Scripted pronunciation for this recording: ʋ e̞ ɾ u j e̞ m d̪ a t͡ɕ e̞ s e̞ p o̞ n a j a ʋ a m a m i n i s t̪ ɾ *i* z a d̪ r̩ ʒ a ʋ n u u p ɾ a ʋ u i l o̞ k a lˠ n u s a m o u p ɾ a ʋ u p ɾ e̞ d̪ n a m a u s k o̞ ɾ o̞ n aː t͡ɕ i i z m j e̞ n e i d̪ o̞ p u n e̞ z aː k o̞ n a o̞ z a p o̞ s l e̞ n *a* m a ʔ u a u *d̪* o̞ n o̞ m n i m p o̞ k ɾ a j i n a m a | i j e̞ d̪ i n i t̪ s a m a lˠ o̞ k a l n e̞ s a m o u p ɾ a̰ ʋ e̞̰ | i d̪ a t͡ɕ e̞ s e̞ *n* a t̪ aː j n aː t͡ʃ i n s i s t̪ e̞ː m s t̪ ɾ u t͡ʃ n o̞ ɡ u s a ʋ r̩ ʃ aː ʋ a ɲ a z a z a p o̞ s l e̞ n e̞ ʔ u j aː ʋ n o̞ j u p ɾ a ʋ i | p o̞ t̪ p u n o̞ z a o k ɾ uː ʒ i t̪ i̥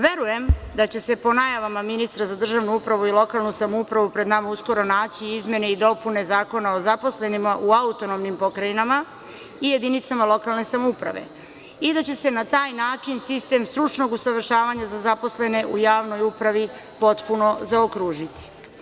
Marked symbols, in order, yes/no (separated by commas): no, no, no, yes